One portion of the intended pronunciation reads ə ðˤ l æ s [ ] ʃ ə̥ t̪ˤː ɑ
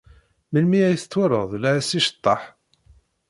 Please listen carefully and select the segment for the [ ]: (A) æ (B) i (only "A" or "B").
B